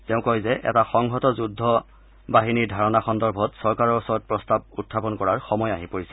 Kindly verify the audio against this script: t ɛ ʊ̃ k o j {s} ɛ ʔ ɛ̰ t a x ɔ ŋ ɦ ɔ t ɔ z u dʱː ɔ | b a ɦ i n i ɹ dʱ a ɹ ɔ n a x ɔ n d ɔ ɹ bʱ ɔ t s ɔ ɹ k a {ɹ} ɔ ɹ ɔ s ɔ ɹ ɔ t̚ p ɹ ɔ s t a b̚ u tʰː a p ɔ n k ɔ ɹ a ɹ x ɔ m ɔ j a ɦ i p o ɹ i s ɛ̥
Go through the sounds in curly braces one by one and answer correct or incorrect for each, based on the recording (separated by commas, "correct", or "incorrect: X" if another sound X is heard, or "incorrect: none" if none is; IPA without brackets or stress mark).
incorrect: z, correct